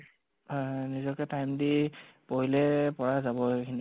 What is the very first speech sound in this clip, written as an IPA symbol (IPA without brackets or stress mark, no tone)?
n